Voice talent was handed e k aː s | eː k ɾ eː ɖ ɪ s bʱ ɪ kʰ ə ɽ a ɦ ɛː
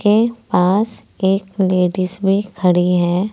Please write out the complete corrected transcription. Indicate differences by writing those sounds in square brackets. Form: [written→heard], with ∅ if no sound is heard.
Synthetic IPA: e [k→p] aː s | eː k [ɾ→l] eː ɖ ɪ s bʱ [ɪ→i] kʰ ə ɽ [a→i] ɦ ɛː